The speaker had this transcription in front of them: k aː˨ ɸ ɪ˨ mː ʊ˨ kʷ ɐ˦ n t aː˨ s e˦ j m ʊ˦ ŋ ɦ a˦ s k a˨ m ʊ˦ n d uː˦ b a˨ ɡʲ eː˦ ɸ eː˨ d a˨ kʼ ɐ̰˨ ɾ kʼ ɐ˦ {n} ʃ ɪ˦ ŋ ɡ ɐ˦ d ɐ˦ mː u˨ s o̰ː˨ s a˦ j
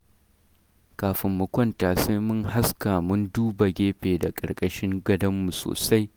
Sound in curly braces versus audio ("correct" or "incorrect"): incorrect